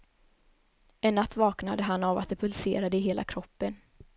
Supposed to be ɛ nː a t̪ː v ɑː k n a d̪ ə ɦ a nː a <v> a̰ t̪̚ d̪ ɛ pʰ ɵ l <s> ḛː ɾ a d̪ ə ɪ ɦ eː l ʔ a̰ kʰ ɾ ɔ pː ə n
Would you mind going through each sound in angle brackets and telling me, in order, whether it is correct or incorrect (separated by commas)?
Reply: correct, correct